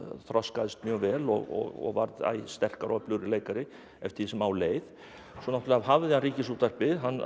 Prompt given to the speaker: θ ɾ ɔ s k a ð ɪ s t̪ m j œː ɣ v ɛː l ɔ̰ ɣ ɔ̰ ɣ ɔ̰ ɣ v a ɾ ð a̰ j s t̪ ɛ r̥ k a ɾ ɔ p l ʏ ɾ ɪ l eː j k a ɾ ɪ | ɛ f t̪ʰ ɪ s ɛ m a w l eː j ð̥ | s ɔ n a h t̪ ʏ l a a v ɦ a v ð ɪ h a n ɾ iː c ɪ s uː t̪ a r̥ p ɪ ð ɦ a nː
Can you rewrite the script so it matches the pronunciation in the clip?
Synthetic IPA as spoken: θ ɾ ɔ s k a ð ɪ s t̪ m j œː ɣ v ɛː l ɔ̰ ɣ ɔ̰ ɣ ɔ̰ ɣ v a ɾ ð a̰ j s t̪ ɛ r̥ k a ɾ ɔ p l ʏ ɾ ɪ l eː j k a ɾ ɪ | ɛ f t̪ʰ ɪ s ɛ m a w l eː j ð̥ | s ɔ n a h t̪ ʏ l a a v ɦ a v ð ɪ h a n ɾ iː c ɪ s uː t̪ a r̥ p ɪ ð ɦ a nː